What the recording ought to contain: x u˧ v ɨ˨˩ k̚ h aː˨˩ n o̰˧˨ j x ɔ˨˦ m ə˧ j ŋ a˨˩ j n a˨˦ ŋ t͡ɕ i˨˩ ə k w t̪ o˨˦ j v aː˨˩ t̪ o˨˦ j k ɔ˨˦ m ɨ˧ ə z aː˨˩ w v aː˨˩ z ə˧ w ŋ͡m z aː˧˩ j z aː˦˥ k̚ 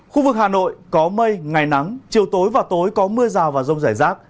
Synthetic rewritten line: x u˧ v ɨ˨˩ k̚ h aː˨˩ n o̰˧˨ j k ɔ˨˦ m ə˧ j ŋ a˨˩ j n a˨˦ ŋ t͡ɕ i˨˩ ə w t̪ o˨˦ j v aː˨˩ t̪ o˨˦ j k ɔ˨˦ m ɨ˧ ə z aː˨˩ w v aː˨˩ z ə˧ w ŋ͡m z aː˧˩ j z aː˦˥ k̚